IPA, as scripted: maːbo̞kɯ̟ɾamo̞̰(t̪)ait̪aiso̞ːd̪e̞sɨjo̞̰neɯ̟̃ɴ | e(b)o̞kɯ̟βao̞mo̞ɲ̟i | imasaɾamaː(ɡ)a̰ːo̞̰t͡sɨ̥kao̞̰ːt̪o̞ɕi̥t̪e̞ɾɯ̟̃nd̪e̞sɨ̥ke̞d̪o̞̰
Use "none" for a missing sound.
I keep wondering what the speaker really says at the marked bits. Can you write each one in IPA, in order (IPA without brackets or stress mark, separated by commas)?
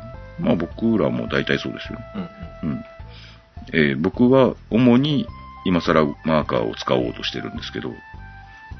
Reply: d̪, b, k